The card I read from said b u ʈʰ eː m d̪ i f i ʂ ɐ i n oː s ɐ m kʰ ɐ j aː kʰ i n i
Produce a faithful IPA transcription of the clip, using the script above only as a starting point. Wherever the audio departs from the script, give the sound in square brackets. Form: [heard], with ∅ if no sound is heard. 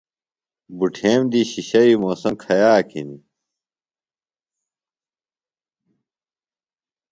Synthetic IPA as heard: b u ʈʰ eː m d̪ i [ɕ] i [ɕ] ɐ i [m] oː s ɐ m kʰ ɐ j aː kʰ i n i